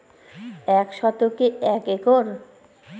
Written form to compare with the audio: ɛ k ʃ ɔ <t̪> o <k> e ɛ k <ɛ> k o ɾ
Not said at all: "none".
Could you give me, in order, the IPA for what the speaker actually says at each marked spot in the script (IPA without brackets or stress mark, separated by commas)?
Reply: t̪, k, e